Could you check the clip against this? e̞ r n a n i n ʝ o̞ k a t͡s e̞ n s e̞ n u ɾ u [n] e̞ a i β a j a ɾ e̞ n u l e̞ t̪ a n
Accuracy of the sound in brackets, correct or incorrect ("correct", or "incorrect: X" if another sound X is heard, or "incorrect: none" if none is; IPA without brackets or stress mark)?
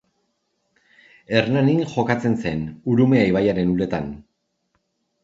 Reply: incorrect: m